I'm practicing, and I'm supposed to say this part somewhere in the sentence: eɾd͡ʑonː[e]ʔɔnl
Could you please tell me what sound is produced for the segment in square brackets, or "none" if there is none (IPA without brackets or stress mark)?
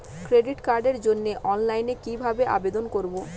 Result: e